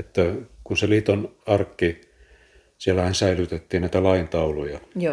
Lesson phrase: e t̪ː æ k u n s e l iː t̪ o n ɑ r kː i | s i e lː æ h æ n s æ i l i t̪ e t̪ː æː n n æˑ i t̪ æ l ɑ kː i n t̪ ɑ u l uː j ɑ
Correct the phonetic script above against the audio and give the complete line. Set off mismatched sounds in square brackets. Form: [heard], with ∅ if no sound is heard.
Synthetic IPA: e t̪ː æ k u n s e l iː t̪ o n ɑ r kː i | s i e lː æ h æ n s æ i l [y] t̪ e t̪ː [iː] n n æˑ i t̪ æ l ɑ [∅] i n t̪ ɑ u l [u] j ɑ